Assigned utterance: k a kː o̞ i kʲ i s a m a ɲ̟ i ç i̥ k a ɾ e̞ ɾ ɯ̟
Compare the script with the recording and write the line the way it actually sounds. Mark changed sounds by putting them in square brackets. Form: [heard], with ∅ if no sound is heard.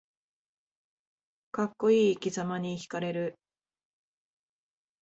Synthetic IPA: k a kː o̞ [iː] kʲ i [z] a m a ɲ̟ i ç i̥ k a ɾ e̞ ɾ ɯ̟